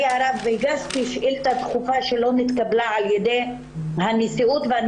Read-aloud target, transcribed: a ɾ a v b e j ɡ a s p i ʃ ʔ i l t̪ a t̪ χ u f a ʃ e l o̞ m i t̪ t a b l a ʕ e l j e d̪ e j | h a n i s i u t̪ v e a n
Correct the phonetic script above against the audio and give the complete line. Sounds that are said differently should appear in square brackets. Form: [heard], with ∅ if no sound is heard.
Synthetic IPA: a ɾ a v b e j ɡ a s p i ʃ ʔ i l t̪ a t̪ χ u f a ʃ e l o̞ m i t̪ [k] a b l a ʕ [a] l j e d̪ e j | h a n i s i u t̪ v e a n